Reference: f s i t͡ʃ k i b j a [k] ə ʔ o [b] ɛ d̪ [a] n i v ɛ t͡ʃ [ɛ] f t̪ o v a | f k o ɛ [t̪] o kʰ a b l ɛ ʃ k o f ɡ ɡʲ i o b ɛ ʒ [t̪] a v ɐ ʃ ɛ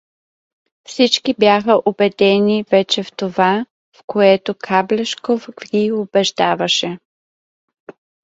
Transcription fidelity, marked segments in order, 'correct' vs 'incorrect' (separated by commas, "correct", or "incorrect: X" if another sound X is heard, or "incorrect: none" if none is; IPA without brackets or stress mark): incorrect: x, correct, incorrect: ɛ, correct, correct, incorrect: d̪